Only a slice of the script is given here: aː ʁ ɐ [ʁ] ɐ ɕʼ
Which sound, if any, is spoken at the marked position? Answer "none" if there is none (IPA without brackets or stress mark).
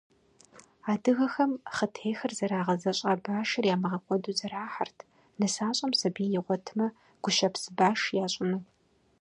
z